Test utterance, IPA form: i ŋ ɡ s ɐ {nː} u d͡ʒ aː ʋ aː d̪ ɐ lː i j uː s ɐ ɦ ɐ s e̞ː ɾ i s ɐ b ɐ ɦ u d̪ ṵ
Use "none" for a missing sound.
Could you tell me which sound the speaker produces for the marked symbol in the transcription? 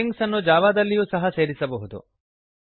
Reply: nː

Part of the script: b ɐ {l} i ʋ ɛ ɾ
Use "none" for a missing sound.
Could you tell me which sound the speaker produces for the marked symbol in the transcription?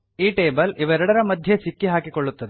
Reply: l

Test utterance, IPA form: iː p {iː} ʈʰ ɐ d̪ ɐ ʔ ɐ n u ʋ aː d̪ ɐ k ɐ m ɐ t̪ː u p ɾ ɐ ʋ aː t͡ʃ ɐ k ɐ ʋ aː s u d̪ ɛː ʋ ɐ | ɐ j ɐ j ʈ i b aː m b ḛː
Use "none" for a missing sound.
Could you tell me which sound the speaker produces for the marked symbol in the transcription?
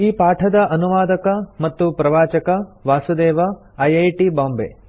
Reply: aː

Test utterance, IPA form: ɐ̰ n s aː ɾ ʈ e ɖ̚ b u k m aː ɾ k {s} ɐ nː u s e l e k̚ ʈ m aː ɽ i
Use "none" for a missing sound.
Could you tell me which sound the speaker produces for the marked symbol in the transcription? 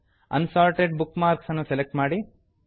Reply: s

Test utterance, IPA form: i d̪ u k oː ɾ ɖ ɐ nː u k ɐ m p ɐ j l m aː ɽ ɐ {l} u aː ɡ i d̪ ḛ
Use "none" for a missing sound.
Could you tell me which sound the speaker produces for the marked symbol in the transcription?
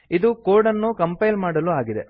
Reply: l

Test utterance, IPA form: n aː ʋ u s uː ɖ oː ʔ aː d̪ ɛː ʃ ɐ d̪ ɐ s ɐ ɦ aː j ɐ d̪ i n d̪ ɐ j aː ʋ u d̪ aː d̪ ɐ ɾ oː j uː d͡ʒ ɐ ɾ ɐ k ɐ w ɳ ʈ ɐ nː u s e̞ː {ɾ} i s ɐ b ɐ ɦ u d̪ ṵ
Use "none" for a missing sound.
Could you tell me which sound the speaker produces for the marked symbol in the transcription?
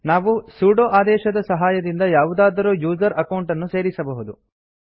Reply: ɾ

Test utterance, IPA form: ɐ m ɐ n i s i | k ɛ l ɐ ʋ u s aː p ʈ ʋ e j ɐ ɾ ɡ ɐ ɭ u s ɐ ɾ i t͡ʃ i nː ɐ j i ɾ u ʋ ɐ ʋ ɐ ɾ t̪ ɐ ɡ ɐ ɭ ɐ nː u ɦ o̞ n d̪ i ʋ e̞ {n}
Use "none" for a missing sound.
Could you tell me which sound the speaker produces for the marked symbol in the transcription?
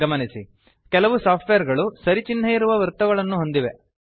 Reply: none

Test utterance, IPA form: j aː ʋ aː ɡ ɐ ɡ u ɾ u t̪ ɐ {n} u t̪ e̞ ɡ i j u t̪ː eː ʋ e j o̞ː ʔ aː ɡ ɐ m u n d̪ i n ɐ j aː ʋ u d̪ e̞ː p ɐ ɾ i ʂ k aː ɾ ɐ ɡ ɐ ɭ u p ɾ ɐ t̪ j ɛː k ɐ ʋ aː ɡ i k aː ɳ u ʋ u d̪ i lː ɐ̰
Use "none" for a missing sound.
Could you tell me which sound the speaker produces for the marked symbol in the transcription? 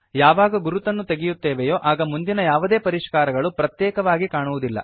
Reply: nː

